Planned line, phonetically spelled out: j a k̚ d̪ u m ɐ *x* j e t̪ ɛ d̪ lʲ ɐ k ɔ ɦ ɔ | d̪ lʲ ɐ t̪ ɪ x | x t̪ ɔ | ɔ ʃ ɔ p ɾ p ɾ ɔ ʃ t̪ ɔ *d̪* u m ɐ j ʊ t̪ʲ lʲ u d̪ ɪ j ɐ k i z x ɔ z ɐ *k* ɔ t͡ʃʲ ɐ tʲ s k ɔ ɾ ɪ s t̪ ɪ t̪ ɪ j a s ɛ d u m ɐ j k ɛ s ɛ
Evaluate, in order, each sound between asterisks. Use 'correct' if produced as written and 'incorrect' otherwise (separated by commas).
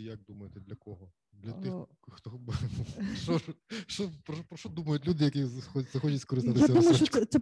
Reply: incorrect, correct, incorrect